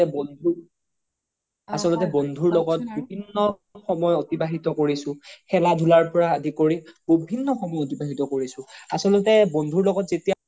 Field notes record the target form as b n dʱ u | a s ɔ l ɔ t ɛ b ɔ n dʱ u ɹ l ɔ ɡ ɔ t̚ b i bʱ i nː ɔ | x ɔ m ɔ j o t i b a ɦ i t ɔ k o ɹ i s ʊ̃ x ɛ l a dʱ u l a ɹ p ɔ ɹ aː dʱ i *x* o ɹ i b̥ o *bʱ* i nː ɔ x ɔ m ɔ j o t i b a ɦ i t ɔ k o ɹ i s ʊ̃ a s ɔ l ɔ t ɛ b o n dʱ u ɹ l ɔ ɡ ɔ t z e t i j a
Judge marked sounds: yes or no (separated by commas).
no, yes